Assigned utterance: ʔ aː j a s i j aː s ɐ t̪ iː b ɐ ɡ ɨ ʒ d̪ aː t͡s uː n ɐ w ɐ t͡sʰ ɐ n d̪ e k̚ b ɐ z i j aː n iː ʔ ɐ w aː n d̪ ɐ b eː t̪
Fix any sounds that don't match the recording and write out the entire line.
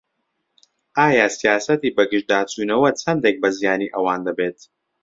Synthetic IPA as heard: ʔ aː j a s i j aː s ɐ t̪ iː b ɐ ɡ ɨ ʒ d̪ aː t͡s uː n ɐ w ɐ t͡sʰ ɐ n d̪ e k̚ b ɐ z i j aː n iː ʔ ɐ w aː n d̪ ɐ b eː t̪